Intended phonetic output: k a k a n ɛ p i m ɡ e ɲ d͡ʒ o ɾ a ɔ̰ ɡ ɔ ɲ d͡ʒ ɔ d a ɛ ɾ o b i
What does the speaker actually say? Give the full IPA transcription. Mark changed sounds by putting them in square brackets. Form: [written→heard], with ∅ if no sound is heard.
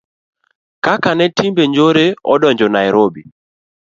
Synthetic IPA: k a k a n ɛ [p→t] i m [ɡ→b] e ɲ d͡ʒ o ɾ [a→e] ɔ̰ [ɡ→d] ɔ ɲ d͡ʒ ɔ [d→n] a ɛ ɾ o b i